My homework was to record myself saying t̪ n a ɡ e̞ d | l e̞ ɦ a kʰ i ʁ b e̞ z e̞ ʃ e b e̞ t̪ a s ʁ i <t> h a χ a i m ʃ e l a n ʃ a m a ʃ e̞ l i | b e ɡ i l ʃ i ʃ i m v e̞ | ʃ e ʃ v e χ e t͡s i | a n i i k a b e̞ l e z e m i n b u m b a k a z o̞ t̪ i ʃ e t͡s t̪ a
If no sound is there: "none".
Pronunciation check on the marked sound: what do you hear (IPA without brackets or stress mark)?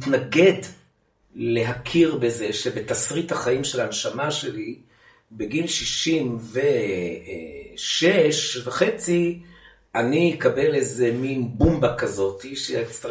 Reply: t